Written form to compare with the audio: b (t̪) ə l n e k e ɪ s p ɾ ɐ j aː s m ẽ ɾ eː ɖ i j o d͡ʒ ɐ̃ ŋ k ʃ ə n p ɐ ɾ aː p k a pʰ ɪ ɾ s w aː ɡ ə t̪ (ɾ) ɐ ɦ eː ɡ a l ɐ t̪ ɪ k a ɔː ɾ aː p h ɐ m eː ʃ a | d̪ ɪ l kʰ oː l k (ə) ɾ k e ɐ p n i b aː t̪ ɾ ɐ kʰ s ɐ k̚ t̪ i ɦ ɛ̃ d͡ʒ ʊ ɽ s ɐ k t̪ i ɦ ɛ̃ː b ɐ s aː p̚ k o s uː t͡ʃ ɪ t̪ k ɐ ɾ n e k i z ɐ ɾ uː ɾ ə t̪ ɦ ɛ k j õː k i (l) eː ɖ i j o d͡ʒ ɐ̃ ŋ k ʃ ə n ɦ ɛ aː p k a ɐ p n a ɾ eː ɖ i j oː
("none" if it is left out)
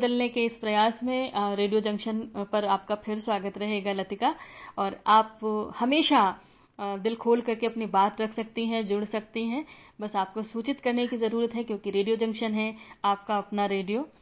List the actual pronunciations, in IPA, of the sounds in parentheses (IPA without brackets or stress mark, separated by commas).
d̪, ɾ, ɐ, ɾ